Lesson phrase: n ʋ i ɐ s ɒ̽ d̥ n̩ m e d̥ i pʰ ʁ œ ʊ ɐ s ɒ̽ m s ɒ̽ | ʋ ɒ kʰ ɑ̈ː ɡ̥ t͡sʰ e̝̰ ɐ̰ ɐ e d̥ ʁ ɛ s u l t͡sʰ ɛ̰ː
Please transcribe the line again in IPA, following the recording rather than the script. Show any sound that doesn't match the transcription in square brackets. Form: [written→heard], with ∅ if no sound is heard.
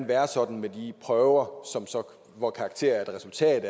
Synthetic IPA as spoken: n ʋ [i→æ] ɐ s ɒ̽ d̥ n̩ m e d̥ i pʰ ʁ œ ʊ ɐ s ɒ̽ m s ɒ̽ | ʋ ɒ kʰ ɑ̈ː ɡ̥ t͡sʰ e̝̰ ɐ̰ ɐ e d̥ ʁ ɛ s u l t͡sʰ ɛ̰ː